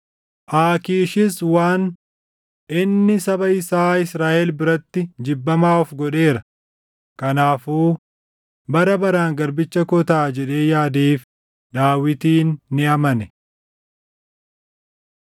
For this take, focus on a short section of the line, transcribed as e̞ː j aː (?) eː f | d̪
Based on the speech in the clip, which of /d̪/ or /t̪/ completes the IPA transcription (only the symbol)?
d̪